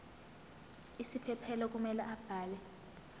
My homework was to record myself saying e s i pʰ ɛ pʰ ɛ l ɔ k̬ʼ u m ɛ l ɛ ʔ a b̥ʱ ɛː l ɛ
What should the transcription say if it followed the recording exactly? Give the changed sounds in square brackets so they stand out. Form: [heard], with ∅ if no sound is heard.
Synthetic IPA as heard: [i] s i pʰ ɛ pʰ ɛ l ɔ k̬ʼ u m ɛ l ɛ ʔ a b̥ʱ [aː] l ɛ